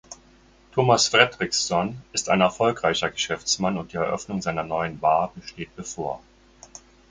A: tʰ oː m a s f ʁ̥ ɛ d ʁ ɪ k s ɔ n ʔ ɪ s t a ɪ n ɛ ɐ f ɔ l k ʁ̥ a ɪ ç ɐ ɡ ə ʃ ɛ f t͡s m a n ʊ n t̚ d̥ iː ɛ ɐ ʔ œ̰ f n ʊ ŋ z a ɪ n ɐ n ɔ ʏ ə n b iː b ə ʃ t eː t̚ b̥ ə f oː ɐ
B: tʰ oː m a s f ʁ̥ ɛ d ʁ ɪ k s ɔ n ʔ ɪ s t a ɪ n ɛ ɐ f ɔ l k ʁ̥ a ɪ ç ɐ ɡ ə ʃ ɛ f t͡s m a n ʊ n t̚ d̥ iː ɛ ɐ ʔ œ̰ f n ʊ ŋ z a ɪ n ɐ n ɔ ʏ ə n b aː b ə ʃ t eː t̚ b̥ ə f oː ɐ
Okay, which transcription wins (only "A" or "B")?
B